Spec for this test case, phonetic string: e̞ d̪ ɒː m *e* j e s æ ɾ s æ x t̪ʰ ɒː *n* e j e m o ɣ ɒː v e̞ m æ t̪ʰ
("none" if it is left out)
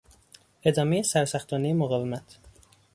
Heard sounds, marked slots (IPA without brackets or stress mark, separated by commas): e, n